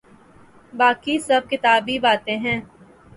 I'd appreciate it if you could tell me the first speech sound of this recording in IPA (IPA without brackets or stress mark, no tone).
b